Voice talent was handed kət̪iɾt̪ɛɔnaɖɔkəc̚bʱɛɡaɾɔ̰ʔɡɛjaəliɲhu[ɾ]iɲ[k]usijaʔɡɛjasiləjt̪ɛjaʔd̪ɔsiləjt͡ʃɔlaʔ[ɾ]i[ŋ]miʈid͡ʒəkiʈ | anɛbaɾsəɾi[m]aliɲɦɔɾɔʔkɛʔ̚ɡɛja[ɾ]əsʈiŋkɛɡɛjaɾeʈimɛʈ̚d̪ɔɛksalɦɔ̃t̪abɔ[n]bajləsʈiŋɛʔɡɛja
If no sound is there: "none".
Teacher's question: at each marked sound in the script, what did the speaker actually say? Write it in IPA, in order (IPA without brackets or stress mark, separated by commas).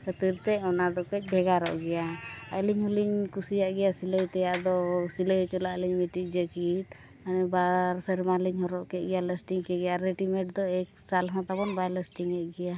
l, k, l, ɲ, m, l, n